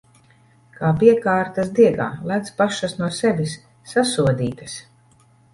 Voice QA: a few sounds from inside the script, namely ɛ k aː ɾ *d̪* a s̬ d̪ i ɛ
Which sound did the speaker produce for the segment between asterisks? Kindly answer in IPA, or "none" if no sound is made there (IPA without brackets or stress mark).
t̪